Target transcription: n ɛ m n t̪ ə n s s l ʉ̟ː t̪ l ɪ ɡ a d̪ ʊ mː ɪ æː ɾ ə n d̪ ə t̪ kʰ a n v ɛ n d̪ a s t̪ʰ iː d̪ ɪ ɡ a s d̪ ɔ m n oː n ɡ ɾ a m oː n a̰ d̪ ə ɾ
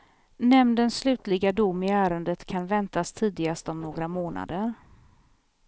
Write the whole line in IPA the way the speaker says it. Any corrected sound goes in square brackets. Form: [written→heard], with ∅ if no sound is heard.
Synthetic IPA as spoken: n ɛ m n [t̪→d̪] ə n s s l ʉ̟ː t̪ l ɪ ɡ a d̪ ʊ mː ɪ æː ɾ ə n d̪ ə t̪ kʰ a n v ɛ n [d̪→t̪] a s t̪ʰ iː d̪ ɪ ɡ a s [d̪→t̪] ɔ m n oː [n→∅] ɡ ɾ a m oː n a̰ d̪ ə ɾ